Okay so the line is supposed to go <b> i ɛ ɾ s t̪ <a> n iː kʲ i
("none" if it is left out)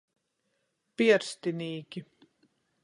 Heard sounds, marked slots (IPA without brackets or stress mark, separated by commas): p, i